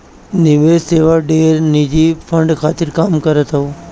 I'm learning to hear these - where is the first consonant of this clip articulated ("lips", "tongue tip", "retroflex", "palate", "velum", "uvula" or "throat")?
tongue tip